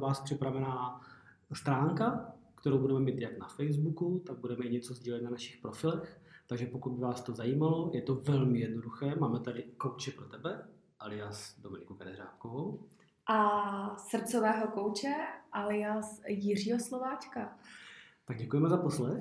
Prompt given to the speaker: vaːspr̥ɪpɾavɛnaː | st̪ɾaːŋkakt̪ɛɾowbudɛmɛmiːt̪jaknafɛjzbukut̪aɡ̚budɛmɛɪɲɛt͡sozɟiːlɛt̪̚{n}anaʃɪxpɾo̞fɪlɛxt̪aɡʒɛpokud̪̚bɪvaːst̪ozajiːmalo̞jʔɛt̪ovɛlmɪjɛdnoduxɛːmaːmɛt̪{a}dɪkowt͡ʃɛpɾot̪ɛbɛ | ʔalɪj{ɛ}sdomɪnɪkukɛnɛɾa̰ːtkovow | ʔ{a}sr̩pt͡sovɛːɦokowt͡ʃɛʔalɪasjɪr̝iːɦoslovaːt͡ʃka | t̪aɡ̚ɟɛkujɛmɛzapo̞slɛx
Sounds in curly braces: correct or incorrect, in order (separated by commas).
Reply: correct, correct, incorrect, correct